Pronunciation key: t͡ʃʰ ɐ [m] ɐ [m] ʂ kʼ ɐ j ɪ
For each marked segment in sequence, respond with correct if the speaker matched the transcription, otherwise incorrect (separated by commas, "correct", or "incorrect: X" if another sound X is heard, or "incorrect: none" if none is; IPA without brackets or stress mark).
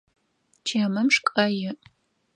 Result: correct, correct